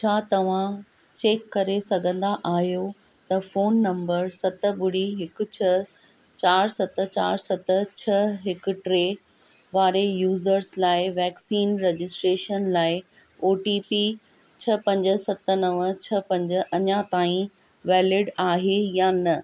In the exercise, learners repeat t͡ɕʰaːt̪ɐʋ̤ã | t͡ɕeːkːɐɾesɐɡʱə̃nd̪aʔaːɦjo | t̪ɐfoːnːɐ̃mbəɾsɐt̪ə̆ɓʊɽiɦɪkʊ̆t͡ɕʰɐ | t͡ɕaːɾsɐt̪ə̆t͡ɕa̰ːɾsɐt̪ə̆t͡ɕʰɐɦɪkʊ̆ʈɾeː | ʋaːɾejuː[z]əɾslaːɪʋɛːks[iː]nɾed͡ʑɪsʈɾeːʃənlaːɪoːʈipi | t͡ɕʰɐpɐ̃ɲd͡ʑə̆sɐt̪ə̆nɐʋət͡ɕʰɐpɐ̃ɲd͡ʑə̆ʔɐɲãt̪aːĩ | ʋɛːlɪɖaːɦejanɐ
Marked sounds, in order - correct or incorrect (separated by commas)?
correct, correct